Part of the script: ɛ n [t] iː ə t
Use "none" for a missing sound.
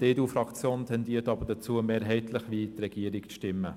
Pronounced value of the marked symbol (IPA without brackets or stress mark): d